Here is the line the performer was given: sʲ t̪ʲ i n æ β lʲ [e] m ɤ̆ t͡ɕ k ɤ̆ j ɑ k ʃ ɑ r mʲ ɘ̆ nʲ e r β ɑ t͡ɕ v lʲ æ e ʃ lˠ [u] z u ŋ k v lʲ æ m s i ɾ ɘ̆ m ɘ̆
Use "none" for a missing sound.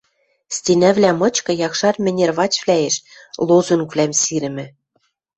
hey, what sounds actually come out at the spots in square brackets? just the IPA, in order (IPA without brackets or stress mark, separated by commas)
æ, o